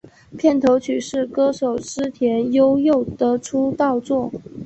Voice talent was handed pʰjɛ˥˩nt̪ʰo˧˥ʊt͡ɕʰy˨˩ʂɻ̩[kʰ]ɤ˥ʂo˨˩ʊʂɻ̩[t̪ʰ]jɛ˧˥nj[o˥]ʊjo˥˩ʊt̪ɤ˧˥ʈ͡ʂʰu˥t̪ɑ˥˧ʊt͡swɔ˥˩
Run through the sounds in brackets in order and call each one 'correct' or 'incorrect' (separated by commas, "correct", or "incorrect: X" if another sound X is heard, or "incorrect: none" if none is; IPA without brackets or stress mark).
incorrect: k, correct, correct